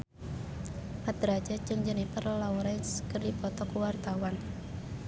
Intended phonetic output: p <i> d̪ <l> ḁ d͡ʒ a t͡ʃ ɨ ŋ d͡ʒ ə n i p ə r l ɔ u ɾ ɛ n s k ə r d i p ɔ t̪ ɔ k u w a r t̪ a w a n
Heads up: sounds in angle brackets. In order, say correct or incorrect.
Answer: incorrect: a, incorrect: ɾ

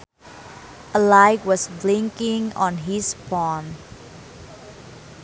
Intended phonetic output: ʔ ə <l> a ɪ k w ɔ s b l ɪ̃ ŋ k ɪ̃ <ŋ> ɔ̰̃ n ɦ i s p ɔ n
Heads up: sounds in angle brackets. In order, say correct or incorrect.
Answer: correct, correct

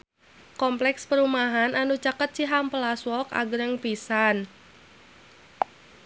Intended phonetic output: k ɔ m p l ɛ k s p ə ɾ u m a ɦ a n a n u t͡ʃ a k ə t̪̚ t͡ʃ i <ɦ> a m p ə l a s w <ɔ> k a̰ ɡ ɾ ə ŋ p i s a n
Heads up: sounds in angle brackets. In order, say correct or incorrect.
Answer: correct, correct

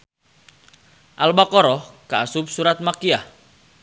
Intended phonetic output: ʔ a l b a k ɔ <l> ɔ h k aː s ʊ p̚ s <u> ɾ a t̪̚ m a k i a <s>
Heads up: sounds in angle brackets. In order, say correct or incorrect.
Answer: incorrect: ɾ, correct, incorrect: h

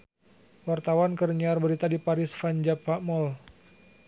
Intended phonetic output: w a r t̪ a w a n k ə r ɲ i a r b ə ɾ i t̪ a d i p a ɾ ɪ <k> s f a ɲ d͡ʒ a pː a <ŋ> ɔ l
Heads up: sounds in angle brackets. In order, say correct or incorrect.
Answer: incorrect: none, incorrect: m

